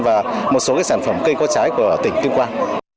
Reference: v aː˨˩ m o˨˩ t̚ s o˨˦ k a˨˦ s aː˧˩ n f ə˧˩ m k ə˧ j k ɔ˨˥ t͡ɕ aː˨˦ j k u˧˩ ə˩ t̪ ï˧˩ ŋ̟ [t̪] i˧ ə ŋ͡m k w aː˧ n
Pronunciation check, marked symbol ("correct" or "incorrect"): correct